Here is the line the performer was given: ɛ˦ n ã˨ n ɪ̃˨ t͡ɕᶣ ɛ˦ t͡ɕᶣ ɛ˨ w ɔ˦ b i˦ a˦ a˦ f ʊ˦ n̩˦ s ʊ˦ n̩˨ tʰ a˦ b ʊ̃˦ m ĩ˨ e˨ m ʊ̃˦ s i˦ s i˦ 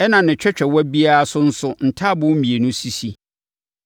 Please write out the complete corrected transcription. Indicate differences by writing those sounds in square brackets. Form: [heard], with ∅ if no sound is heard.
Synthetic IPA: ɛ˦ n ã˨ n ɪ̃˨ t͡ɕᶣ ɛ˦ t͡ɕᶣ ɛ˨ w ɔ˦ b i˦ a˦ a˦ [s] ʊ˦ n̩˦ s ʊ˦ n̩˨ tʰ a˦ b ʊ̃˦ m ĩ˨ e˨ [n] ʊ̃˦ s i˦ s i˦